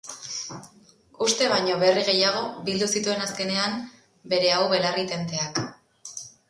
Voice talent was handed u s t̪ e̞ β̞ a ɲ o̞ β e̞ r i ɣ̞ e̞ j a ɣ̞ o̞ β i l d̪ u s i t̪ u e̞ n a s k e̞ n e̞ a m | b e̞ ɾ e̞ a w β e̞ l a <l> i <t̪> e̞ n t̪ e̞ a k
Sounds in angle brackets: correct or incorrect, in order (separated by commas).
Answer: incorrect, correct